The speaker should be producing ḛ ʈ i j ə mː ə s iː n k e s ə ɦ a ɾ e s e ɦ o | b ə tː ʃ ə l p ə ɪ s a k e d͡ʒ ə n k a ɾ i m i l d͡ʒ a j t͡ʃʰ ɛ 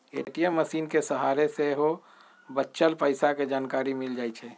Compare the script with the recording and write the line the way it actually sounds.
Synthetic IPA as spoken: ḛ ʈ i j ə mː ə s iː n k e s ə ɦ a ɾ e s e ɦ o | b ə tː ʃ ə l p ə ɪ s a k e d͡ʒ a n k a ɾ i m i l d͡ʒ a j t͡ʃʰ ɛ